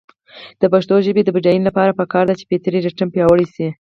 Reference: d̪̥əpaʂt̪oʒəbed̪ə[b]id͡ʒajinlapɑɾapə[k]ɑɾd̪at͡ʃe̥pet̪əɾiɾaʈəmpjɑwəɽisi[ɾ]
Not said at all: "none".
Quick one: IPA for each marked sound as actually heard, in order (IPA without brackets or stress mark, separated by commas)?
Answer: b, k, none